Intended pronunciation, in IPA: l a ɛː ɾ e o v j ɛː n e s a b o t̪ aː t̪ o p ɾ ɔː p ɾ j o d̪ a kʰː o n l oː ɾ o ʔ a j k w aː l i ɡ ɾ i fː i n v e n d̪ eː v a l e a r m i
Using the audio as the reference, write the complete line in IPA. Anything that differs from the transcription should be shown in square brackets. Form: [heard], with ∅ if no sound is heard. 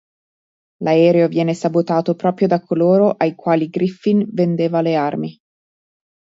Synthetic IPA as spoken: l a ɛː ɾ e o v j ɛː n e s a b o t̪ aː t̪ o p ɾ ɔː p ɾ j o d̪ a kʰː o [∅] l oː ɾ o ʔ a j k w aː l i ɡ ɾ i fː i n v e n d̪ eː v a l e a r m i